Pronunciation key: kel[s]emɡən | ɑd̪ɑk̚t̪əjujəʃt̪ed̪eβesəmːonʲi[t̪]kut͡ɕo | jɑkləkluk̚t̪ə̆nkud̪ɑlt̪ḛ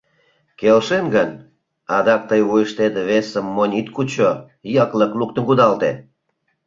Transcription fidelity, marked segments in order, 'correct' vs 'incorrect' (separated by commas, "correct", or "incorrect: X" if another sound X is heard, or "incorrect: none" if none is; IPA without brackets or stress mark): incorrect: ʃ, correct